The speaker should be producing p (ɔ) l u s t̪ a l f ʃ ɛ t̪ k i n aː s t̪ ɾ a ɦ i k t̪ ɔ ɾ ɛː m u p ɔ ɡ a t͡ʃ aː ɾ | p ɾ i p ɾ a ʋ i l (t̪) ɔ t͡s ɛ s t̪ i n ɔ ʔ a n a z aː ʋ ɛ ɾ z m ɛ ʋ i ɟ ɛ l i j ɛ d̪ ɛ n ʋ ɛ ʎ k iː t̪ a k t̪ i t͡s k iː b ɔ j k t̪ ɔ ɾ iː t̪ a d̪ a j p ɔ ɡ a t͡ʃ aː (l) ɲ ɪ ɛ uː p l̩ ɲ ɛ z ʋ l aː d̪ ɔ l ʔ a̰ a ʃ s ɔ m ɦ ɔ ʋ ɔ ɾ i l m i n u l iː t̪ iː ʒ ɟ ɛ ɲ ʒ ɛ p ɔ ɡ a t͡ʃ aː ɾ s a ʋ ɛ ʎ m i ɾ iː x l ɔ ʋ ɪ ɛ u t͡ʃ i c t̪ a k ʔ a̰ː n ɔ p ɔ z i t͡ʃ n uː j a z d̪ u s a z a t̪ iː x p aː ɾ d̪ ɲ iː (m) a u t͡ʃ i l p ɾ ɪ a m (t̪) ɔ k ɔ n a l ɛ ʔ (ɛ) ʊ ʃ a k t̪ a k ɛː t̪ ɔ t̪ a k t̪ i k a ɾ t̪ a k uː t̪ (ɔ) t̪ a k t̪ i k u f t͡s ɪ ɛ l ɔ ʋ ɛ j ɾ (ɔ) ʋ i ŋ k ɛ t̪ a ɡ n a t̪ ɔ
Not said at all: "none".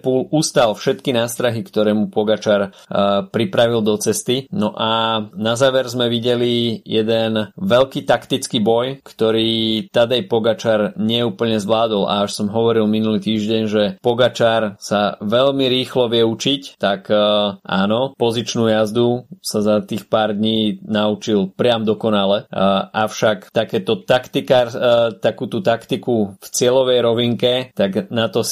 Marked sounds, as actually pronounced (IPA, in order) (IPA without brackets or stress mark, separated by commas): u, d̪, ɾ, n, d̪, a, u, ɔ